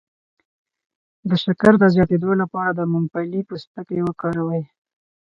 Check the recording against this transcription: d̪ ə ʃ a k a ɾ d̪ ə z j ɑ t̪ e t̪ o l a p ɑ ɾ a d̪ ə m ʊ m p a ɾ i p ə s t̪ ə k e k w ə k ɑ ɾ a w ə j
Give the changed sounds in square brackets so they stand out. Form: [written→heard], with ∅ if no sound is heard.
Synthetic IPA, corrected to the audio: d̪ ə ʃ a k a ɾ d̪ ə z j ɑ t̪ e [t̪→d̪] o l a p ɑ ɾ a d̪ ə m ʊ m p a [ɾ→l] i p ə s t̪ ə k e [k→∅] w ə k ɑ ɾ a w ə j